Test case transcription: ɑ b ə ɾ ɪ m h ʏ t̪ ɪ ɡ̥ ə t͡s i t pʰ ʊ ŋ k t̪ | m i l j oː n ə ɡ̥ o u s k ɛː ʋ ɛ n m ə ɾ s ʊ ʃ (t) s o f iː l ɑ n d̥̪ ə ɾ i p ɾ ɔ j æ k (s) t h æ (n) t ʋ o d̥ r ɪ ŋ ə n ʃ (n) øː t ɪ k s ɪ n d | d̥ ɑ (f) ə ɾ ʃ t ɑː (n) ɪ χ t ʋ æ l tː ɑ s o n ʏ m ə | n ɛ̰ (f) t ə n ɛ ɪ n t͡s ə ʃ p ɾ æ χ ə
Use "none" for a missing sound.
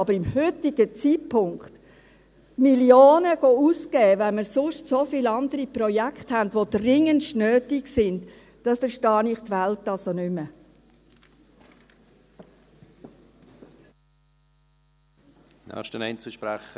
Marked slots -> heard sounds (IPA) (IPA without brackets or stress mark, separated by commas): t, χ, n, n, f, n, ʃ